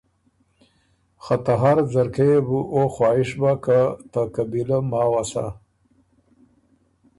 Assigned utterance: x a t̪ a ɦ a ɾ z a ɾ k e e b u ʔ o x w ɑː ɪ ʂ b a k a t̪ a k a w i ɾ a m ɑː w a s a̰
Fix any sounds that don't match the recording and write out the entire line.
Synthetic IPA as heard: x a t̪ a ɦ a ɾ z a ɾ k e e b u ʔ o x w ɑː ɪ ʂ b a k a t̪ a k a b i l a m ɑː w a s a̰